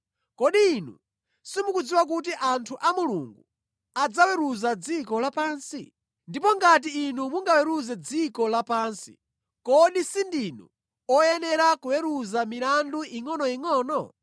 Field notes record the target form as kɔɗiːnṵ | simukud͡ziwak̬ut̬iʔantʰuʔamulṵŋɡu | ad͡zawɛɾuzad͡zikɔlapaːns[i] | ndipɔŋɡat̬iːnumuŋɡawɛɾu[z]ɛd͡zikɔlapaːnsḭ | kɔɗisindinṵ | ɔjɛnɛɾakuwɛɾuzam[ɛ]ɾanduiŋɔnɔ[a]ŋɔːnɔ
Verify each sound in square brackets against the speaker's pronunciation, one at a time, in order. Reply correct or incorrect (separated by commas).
correct, correct, incorrect, incorrect